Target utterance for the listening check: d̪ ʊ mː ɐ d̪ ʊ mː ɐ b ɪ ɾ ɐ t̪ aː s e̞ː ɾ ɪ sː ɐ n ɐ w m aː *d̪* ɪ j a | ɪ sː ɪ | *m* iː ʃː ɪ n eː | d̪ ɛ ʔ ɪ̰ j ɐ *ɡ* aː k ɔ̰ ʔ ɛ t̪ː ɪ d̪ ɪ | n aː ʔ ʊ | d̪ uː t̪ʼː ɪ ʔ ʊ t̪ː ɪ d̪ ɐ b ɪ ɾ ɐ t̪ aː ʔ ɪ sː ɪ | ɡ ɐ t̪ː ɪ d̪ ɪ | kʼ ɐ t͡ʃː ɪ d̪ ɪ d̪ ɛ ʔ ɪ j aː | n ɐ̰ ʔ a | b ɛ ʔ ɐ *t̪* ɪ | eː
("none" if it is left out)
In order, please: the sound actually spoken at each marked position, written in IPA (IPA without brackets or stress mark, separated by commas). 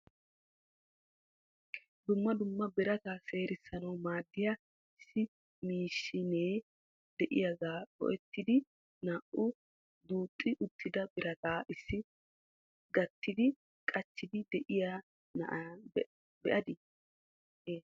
d̪ː, m, ɡ, d̪